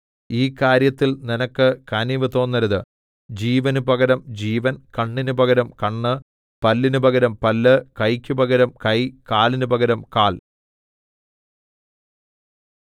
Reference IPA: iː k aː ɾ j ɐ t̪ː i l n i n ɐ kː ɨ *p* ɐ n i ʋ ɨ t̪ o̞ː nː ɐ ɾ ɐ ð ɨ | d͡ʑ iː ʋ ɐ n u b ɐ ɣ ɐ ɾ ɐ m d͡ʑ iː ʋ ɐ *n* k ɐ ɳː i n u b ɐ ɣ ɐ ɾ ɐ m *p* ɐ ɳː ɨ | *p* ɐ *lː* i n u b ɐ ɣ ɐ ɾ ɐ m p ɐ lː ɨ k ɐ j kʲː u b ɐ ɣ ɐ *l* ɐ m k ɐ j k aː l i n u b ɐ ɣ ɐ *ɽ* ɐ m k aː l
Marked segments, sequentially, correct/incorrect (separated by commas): incorrect, correct, incorrect, correct, correct, incorrect, incorrect